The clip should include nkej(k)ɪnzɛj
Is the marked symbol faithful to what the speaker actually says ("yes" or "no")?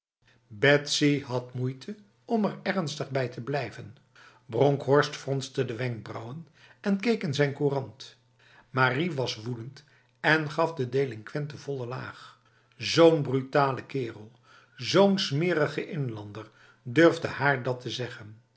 yes